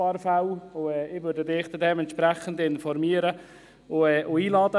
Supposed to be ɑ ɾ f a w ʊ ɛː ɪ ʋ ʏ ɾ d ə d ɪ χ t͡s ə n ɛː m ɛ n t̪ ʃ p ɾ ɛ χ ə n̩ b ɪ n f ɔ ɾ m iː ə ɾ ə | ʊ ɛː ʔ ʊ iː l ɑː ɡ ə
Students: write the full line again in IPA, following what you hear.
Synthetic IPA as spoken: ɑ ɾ f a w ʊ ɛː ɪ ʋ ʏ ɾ d ə d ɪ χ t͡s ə d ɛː m ɛ n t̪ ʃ p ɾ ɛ χ ə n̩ d ɪ n f ɔ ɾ m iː ə ɾ ə | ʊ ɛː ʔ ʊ iː l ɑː d ə